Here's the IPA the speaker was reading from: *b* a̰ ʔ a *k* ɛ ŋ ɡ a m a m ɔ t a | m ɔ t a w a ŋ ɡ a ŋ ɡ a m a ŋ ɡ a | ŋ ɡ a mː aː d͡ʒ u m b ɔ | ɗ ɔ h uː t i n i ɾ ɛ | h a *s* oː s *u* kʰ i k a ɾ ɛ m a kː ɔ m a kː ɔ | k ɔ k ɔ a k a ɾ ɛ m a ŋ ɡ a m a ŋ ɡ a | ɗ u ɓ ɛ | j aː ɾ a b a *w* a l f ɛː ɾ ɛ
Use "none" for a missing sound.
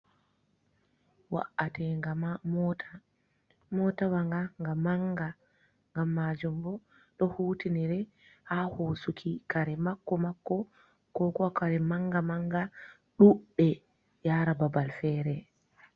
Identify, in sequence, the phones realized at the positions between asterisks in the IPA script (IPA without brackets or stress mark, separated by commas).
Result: w, t, h, u, b